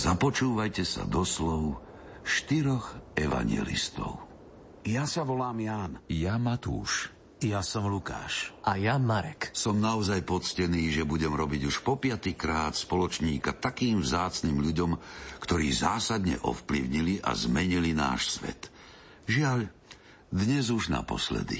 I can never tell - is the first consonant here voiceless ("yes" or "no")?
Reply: no